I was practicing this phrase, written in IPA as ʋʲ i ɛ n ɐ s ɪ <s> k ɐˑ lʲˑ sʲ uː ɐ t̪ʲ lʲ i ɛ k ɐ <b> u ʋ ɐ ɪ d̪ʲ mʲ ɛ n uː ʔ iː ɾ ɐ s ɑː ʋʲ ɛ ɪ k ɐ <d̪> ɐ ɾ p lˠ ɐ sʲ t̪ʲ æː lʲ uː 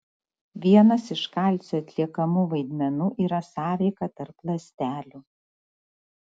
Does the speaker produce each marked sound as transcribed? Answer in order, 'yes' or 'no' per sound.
no, no, no

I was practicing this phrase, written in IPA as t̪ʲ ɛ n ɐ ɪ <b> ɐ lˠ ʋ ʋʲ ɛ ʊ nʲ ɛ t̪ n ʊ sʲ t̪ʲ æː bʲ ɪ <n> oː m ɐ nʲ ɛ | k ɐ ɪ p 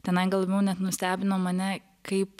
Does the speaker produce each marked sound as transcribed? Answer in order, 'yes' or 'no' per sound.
no, yes

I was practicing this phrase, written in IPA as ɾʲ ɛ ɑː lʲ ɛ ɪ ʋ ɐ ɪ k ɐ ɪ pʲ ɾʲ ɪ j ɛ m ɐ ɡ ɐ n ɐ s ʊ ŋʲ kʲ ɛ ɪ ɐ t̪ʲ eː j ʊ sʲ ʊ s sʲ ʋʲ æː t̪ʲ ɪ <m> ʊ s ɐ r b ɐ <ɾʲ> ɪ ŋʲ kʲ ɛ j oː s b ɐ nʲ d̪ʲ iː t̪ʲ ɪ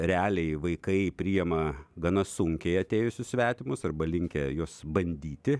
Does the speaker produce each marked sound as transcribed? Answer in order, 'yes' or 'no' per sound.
yes, no

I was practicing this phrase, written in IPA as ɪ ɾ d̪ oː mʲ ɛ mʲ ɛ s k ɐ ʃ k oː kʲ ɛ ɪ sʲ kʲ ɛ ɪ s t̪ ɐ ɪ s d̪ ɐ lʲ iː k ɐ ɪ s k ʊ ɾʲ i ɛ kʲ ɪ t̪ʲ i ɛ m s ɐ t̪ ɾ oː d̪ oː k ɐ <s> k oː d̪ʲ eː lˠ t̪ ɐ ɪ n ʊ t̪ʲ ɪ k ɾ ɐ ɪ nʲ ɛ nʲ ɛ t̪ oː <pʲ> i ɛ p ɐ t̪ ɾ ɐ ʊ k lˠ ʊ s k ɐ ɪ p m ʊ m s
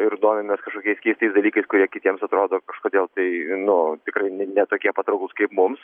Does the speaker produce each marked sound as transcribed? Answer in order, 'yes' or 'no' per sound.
no, no

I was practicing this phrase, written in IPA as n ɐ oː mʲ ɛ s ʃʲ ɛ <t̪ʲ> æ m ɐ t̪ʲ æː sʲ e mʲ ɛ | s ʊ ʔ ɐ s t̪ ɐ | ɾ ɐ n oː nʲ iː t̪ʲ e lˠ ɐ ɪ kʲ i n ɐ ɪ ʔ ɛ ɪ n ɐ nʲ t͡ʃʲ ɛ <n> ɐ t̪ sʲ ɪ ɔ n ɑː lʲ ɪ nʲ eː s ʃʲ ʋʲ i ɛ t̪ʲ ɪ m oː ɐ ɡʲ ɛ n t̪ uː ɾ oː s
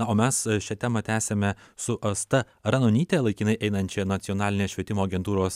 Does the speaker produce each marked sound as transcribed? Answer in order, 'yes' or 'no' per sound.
yes, yes

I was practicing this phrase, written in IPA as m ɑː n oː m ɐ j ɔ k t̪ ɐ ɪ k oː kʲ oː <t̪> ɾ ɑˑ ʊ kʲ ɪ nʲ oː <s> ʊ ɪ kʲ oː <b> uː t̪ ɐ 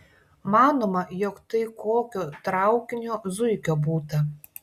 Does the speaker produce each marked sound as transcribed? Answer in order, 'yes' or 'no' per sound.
yes, no, yes

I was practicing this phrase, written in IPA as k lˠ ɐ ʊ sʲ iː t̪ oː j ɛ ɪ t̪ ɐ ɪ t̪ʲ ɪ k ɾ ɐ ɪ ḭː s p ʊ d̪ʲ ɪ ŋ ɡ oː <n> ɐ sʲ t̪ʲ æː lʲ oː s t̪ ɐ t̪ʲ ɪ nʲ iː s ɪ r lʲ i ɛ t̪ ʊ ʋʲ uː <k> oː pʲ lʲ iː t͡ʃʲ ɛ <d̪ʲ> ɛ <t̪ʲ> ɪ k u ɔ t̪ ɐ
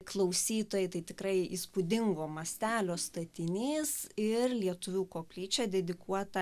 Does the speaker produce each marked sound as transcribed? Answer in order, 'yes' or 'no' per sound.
no, yes, yes, no

